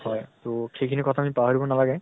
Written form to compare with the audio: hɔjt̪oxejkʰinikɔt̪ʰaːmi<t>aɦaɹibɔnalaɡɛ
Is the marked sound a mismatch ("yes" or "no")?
yes